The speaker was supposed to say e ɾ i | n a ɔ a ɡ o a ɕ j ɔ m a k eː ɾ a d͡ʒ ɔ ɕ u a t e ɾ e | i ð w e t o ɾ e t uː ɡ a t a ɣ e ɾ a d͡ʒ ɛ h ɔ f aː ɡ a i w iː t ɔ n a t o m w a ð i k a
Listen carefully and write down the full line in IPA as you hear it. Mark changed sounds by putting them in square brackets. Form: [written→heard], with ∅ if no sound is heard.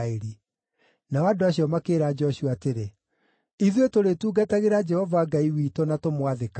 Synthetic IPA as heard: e ɾ i | n a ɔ a [ɡ→d] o a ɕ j ɔ m a k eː ɾ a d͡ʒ ɔ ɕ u a t e ɾ e | i ð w e t o ɾ e t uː ɡ a t a ɣ e ɾ a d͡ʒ ɛ h ɔ [f→v] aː ɡ a i w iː t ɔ n a t o m w a ð [i→e] k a